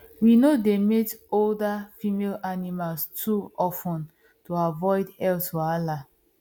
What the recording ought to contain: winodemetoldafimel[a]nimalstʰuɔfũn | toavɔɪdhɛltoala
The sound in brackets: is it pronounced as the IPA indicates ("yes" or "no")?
yes